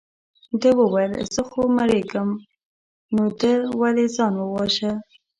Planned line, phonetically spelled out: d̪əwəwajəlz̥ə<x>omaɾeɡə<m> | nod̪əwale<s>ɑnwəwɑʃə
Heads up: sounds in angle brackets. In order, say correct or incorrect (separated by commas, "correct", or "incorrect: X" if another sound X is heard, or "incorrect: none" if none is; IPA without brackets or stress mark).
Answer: correct, correct, incorrect: z